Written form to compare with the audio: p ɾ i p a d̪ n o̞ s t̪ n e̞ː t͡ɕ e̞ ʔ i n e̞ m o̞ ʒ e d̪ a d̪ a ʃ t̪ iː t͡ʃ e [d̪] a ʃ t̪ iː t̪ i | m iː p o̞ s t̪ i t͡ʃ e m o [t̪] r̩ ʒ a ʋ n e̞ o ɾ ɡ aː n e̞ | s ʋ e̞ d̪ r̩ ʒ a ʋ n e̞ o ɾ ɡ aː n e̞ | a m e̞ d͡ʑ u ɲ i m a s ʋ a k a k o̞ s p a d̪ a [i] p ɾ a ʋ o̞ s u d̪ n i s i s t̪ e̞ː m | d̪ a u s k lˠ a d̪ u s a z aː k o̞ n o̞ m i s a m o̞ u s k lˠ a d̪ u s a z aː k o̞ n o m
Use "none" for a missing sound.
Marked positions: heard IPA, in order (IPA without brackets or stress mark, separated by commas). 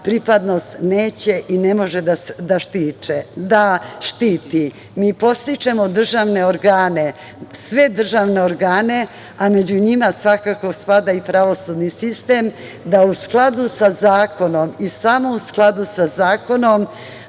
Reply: d̪, d̪, i